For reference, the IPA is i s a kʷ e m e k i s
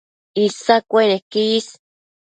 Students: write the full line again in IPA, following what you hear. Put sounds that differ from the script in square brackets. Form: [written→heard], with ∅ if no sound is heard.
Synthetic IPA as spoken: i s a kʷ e [m→n] e k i s

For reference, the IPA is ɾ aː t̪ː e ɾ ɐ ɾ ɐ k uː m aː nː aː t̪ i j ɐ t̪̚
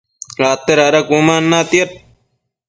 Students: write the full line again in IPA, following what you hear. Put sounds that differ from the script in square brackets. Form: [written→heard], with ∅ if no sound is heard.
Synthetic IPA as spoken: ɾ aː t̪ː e ɾ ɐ ɾ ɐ k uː m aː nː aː t̪ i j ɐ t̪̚

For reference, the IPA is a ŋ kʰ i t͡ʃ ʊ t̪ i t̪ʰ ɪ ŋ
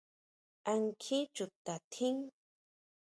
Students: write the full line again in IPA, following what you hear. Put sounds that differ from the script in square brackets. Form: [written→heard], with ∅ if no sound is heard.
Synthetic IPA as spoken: a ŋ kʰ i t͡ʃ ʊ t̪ [i→a] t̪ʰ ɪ ŋ

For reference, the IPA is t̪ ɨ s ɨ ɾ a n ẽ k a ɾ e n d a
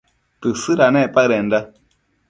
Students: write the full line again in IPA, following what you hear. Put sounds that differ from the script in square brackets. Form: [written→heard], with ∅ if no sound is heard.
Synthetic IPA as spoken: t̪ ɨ s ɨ ɾ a n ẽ [k→p] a ɾ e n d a

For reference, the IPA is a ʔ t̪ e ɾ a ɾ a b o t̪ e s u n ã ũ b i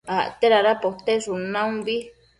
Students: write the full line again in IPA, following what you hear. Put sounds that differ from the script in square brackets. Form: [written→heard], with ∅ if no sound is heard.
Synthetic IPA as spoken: a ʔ t̪ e ɾ a ɾ a [b→p] o t̪ e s u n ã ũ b i

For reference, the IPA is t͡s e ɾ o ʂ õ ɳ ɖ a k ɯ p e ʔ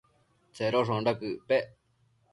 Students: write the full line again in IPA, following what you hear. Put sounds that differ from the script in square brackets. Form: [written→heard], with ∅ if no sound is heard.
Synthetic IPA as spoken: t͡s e ɾ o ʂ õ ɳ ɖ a k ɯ p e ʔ

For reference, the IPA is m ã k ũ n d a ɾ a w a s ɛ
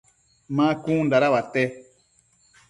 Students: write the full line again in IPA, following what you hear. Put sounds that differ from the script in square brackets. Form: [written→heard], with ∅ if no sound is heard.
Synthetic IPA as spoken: m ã k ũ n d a ɾ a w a [s→t] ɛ

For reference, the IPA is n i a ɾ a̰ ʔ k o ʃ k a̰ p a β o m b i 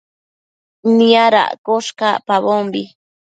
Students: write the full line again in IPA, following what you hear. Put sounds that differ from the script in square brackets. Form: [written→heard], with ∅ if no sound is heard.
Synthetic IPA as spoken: n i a ɾ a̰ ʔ k o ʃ k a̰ p a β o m b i

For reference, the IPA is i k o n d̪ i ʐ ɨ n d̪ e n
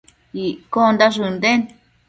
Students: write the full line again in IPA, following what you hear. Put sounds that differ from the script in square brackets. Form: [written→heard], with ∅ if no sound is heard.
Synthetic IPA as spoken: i k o n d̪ [i→a] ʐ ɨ n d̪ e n

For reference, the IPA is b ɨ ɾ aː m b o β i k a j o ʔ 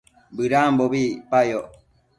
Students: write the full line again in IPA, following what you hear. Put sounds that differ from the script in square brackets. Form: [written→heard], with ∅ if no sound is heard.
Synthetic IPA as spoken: b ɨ ɾ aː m b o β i [k→p] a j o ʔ

